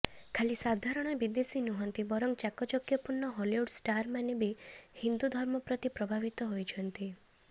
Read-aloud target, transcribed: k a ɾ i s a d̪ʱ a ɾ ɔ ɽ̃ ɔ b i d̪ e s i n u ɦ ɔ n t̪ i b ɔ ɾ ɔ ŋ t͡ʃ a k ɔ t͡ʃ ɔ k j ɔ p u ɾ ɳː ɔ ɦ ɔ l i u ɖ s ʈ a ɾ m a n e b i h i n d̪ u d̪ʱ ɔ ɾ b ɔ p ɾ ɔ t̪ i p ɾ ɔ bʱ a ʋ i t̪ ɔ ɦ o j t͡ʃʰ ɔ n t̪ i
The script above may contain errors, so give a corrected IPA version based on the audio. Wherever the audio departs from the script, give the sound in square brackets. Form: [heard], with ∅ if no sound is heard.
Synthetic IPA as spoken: [kʰ] a [l] i s a d̪ʱ a ɾ ɔ ɽ̃ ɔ b i d̪ e s i n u ɦ ɔ n t̪ i b ɔ ɾ ɔ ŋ t͡ʃ a k ɔ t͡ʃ ɔ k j ɔ p u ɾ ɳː ɔ ɦ ɔ l i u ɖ s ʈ a ɾ m a n e b i h i n d̪ u d̪ʱ ɔ ɾ [m] ɔ p ɾ ɔ t̪ i p ɾ ɔ bʱ a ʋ i t̪ ɔ ɦ o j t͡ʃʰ ɔ n t̪ i